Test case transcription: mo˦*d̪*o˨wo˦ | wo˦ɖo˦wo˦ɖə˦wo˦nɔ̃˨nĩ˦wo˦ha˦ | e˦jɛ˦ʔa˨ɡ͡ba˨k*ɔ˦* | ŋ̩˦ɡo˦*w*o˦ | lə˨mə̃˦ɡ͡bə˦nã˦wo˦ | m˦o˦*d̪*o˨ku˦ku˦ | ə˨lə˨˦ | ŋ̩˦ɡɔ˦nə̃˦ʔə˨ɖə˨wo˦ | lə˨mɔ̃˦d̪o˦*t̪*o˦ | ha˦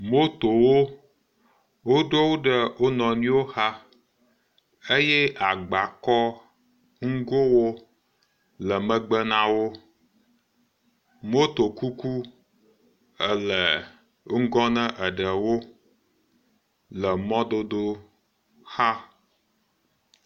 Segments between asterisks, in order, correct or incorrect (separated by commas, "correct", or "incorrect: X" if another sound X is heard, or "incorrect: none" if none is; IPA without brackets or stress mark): incorrect: t̪, correct, correct, incorrect: t̪, incorrect: d̪